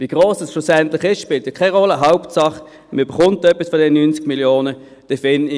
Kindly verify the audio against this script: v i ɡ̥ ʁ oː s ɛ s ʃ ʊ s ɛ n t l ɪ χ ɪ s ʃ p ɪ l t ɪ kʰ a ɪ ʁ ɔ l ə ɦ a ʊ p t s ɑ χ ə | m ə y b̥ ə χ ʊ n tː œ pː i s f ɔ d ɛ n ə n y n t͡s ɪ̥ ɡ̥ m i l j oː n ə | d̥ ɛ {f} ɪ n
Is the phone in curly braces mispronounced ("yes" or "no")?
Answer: no